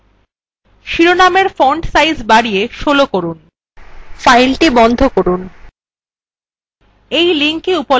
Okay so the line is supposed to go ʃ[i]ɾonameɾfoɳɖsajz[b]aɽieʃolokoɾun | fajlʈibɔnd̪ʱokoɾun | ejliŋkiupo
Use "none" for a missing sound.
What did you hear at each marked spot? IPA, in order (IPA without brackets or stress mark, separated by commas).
i, b